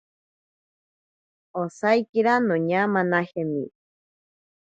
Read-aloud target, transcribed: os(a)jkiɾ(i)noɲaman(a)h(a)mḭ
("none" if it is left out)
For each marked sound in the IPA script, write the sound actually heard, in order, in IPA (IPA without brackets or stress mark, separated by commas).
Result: a, a, a, e